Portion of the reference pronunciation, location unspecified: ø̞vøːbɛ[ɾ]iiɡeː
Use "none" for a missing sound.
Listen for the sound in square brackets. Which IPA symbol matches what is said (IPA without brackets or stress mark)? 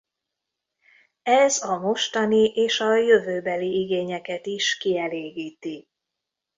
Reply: l